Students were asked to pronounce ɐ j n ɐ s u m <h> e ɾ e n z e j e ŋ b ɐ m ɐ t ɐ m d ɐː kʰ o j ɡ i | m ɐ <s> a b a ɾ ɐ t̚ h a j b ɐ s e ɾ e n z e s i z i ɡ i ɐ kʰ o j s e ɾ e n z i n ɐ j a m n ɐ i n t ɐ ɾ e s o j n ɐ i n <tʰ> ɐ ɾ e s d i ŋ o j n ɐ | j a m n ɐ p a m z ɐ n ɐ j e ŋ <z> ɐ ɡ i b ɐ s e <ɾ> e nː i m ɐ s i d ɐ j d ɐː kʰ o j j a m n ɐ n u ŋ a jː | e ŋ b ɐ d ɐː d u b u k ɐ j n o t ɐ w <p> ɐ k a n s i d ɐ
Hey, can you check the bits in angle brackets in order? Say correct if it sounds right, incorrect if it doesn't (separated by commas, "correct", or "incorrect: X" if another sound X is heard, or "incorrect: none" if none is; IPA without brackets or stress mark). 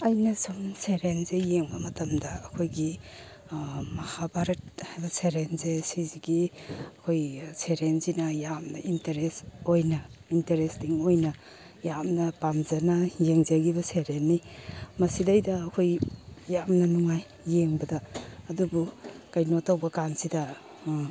incorrect: s, incorrect: h, incorrect: t, correct, correct, incorrect: b